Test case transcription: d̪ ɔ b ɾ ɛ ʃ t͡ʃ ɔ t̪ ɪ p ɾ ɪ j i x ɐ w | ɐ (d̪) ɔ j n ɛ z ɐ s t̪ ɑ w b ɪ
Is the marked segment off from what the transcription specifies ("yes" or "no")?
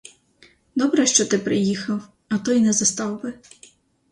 yes